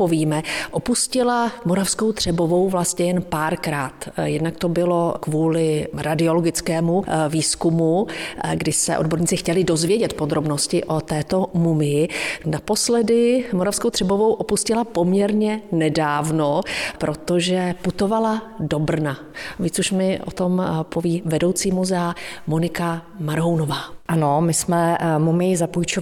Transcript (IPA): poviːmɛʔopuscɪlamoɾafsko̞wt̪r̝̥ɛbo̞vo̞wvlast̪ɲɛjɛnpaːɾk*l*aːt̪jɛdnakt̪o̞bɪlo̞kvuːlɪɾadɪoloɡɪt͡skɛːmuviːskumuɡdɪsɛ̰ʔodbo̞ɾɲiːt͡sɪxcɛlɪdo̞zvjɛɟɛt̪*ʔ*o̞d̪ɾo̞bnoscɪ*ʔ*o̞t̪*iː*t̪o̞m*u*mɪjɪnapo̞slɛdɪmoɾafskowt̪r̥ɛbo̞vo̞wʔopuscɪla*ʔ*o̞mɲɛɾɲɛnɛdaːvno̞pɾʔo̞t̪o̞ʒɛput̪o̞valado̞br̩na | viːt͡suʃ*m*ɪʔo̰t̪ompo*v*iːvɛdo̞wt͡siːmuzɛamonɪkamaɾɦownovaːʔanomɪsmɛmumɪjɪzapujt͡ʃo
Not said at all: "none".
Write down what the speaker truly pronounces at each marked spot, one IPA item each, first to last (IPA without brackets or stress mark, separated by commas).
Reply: ɾ, p, ʔ, ɛː, u, p, m, v